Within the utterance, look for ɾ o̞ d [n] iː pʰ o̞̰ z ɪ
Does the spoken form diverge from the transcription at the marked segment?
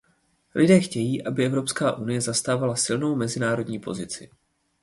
yes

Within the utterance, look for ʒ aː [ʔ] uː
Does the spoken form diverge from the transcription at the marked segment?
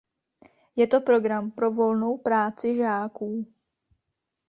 yes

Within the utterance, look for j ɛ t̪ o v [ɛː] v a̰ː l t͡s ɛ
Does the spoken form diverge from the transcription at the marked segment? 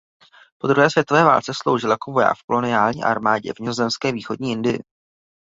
no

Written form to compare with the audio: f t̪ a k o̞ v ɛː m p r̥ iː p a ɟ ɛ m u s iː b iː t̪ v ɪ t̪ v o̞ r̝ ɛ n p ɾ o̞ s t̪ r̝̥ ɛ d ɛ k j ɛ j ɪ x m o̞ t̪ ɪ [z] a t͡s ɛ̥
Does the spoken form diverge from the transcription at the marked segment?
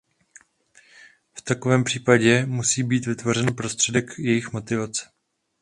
yes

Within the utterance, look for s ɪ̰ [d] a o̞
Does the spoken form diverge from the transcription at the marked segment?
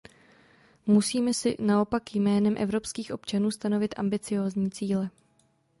yes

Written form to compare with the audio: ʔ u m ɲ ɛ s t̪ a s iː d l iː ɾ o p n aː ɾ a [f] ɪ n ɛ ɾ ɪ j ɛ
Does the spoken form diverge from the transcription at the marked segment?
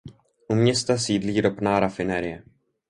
no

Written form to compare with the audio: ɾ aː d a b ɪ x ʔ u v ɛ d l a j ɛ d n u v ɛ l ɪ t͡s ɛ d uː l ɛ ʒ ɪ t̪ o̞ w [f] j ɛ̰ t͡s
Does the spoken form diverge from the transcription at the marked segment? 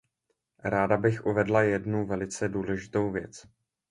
yes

